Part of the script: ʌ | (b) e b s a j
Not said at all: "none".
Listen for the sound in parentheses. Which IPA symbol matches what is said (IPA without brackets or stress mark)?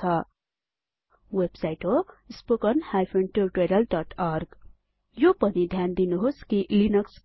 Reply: w